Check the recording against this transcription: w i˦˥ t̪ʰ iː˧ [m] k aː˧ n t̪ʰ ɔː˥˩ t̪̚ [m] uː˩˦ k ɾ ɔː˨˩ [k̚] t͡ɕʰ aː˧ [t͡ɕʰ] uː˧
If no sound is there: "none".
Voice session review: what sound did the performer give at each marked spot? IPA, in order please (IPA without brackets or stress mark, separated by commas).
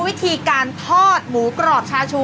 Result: none, m, p̚, t͡ɕʰ